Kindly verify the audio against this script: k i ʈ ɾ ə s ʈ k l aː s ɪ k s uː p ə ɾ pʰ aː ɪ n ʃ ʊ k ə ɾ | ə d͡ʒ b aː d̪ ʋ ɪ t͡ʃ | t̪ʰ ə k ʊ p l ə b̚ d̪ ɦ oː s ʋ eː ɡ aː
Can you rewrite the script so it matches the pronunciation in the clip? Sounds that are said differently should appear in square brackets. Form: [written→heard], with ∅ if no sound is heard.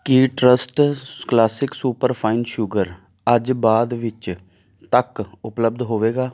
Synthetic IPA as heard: k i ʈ ɾ ə s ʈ k l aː s ɪ k s uː p ə ɾ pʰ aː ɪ n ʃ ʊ [k→ɡ] ə ɾ | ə d͡ʒ b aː d̪ ʋ ɪ t͡ʃ | [t̪ʰ→t̪] ə k ʊ p l ə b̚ d̪ ɦ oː [s→∅] ʋ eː ɡ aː